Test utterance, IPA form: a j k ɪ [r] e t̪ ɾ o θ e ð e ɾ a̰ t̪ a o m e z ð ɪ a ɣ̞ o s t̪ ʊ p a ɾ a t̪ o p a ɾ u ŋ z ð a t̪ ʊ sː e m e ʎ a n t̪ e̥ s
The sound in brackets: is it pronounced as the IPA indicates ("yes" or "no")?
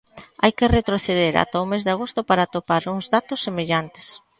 yes